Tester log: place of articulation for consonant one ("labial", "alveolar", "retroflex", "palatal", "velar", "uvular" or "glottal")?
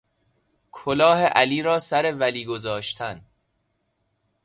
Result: velar